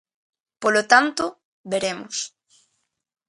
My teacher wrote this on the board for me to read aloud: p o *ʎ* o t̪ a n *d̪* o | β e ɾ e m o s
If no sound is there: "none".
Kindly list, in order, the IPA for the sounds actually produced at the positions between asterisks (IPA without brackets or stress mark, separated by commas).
l, t̪